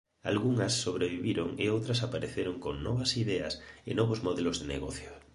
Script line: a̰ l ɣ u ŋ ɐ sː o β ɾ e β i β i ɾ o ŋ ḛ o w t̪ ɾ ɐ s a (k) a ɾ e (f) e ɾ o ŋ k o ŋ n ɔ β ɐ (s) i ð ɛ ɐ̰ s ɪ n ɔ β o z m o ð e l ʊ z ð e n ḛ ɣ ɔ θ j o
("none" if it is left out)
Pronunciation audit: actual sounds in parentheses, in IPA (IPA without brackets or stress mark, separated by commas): p, θ, s